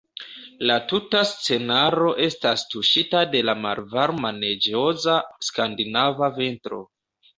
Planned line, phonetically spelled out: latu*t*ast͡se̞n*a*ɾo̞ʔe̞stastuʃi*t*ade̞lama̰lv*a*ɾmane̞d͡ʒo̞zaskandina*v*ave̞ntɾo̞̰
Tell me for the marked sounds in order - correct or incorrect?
correct, correct, correct, correct, correct

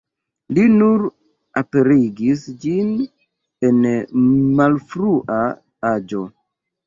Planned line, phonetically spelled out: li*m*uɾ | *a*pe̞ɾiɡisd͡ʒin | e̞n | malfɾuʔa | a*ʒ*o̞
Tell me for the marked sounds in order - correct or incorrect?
incorrect, correct, incorrect

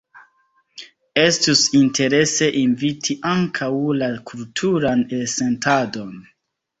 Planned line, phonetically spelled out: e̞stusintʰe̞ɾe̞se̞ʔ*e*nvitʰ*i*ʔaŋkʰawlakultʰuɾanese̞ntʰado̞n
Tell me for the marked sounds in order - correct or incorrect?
incorrect, correct

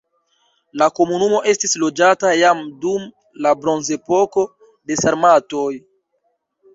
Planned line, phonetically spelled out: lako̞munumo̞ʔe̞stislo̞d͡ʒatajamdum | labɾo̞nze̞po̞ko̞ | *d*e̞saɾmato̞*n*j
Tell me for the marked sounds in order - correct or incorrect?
correct, incorrect

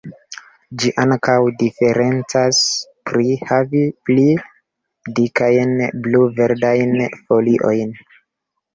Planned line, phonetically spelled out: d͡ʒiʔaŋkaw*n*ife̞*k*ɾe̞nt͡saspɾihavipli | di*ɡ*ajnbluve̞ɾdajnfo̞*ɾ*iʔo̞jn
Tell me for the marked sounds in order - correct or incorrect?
incorrect, incorrect, incorrect, incorrect

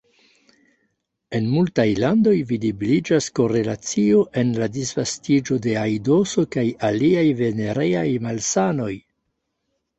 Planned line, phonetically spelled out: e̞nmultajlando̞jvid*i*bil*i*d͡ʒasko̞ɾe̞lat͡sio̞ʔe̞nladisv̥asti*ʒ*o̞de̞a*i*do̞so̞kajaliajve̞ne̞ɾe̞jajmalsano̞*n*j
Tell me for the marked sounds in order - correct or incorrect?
correct, correct, incorrect, incorrect, incorrect

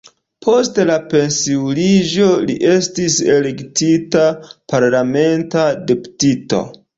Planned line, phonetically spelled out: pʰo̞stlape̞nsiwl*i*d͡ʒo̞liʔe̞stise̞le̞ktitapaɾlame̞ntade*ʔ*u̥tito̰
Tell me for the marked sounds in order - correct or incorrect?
correct, incorrect

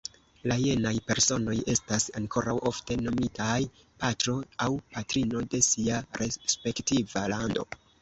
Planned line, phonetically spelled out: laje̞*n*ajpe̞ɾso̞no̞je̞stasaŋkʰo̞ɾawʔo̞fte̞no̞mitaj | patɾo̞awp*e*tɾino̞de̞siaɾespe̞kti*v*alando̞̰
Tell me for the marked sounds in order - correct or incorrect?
correct, incorrect, correct

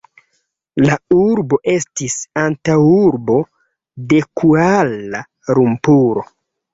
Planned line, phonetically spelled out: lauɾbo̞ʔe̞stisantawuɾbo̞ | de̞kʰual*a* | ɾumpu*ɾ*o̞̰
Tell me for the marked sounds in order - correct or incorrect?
correct, correct

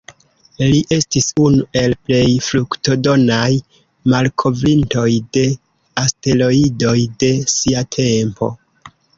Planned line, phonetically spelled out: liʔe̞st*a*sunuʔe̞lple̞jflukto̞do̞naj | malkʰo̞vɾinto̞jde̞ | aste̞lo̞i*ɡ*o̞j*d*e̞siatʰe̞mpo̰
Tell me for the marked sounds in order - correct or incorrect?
incorrect, incorrect, correct

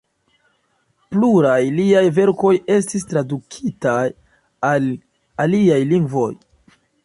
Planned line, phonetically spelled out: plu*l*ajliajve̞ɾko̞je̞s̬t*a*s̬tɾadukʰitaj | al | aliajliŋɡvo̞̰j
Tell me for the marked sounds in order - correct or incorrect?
incorrect, incorrect

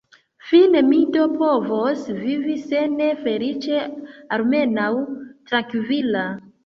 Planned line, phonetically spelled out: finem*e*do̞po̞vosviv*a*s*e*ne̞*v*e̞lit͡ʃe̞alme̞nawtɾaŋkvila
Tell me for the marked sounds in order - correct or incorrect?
incorrect, incorrect, correct, incorrect

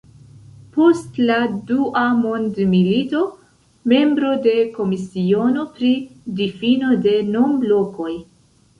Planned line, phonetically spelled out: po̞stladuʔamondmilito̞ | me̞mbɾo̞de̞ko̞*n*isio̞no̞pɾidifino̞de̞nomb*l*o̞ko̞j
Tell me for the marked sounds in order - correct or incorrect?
incorrect, correct

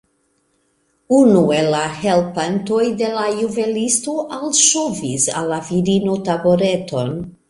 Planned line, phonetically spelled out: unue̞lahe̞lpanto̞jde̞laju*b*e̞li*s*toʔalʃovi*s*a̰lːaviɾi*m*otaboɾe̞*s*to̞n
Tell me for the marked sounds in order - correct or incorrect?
incorrect, correct, correct, incorrect, incorrect

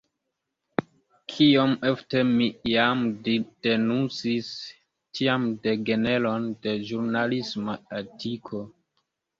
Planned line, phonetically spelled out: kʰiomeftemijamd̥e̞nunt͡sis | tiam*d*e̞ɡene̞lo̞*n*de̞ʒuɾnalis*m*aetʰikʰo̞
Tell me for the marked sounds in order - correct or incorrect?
correct, correct, correct

